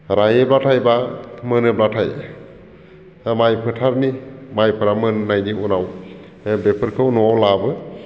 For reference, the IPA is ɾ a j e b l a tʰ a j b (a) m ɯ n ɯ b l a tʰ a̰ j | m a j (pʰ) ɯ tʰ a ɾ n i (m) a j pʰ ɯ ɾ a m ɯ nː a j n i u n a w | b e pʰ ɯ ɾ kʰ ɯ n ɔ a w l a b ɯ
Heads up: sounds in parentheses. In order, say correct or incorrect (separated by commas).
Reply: correct, correct, correct